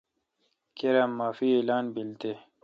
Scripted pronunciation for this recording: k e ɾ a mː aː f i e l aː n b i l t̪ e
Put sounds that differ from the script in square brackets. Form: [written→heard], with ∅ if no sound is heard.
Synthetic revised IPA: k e ɾ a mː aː f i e l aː n b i l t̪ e